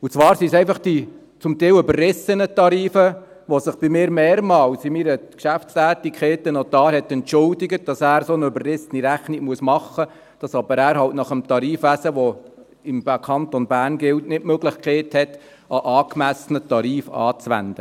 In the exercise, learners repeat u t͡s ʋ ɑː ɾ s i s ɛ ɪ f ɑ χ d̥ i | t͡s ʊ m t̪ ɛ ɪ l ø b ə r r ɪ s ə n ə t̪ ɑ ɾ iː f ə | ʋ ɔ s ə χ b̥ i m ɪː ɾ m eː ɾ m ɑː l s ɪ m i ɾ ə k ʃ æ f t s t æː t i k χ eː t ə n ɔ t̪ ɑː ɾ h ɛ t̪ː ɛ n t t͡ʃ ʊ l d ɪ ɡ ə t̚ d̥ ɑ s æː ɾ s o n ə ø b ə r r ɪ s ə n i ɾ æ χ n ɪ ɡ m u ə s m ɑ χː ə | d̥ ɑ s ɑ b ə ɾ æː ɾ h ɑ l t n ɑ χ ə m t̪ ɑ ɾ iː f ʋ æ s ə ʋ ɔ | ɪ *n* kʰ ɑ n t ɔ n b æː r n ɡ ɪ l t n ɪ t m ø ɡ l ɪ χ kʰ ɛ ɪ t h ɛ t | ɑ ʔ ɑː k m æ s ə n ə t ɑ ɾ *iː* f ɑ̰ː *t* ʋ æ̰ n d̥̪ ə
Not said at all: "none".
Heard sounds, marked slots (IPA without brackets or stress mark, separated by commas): m, iː, t͡s